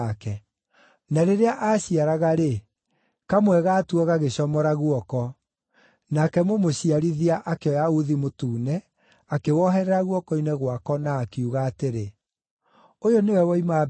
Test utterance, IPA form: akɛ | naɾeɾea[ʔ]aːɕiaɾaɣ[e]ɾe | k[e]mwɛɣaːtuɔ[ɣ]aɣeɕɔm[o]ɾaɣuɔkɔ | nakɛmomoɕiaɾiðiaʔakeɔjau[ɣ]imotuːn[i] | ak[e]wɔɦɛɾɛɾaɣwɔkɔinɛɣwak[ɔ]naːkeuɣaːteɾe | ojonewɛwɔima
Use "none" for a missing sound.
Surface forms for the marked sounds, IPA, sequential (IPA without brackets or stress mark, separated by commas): ʔ, a, a, ɣ, ɔ, ð, ɛ, e, ɔ